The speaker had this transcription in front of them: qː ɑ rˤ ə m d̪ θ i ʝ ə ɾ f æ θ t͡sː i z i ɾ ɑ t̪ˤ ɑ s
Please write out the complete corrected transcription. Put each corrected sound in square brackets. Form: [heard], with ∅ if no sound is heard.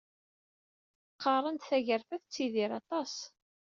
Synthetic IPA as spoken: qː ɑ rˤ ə [n] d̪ θ [æ] ʝ ə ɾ f æ θ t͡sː i [ð] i ɾ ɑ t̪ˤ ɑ s